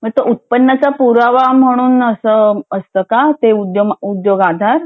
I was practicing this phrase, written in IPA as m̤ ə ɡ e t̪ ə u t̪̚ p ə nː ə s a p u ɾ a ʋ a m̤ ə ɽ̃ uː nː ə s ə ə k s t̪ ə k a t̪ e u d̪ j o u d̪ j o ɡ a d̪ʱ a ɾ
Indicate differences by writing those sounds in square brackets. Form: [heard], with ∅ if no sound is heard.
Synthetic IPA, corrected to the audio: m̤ ə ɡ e t̪ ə u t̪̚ p ə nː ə [t͡s] a p u ɾ a ʋ a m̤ ə ɽ̃ uː [n] ə s ə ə [∅] s t̪ ə k a t̪ e u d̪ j o u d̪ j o ɡ a d̪ʱ a ɾ